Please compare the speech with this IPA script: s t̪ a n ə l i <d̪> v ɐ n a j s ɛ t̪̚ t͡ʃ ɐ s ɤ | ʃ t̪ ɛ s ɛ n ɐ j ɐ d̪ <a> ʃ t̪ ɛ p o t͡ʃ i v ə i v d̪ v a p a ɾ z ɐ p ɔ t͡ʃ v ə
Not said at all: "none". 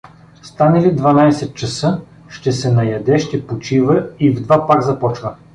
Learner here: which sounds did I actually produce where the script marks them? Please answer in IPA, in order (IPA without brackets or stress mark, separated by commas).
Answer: d̪, ɛ